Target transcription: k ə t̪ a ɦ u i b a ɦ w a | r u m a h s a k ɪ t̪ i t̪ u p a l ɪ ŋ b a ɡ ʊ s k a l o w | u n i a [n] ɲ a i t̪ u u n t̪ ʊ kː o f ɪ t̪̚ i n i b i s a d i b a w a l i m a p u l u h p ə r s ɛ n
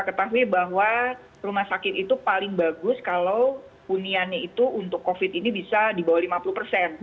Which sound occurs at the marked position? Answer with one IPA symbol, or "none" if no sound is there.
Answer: n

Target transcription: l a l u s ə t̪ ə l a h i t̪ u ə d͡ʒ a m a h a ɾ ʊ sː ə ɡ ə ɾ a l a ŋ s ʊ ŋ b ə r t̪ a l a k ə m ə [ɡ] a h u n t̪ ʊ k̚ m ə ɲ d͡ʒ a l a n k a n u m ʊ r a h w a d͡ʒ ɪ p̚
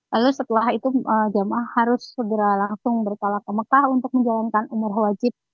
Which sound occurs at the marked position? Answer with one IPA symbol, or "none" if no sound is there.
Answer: k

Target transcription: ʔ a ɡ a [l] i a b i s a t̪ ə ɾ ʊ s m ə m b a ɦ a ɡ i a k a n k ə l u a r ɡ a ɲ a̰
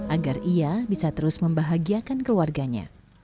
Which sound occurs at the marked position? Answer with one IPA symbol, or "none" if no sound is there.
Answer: r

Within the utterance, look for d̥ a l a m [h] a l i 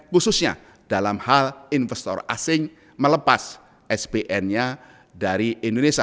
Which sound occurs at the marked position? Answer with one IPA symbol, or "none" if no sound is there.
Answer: h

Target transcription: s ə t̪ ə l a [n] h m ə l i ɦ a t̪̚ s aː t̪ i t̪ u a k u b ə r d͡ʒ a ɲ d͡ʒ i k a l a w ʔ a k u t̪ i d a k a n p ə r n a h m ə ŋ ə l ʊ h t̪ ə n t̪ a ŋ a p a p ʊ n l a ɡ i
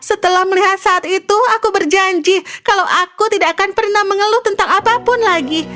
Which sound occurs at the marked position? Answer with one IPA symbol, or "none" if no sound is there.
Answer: none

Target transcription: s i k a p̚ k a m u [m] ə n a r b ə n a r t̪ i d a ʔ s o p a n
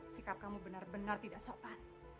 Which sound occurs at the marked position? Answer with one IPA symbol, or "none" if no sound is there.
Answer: b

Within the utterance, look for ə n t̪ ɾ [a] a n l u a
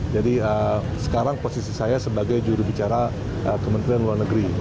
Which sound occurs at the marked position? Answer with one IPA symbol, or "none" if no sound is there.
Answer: i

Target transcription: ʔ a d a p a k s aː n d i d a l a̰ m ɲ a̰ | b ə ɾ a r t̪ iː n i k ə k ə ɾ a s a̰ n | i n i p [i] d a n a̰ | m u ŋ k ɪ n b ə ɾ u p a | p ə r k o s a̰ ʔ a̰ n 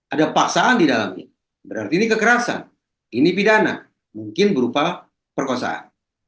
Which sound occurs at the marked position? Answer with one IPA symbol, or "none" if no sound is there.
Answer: i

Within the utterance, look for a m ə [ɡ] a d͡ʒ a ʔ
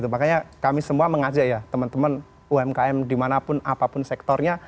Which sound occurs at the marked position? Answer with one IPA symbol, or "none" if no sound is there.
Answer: ŋ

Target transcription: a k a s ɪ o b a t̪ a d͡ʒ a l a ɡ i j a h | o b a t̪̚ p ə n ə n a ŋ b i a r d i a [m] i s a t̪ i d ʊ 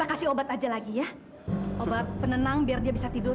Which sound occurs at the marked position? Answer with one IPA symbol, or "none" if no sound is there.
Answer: b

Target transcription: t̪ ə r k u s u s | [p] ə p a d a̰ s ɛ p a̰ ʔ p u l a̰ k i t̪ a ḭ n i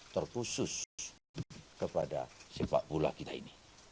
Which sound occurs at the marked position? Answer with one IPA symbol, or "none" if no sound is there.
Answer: k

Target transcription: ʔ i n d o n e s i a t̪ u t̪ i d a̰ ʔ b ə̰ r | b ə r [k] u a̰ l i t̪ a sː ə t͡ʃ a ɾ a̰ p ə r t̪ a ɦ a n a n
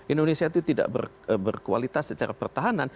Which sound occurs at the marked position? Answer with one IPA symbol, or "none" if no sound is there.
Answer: k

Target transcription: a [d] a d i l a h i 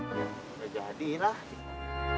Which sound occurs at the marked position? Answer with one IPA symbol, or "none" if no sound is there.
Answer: d͡ʒ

